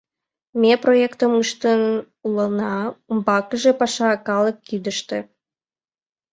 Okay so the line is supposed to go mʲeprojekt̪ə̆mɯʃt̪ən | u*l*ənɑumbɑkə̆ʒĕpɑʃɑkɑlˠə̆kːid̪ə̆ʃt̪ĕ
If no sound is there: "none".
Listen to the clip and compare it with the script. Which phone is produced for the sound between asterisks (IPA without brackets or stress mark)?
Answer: l